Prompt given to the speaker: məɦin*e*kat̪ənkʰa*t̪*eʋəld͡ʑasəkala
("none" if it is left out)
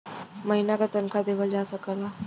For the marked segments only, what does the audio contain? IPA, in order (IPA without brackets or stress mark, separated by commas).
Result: a, d̪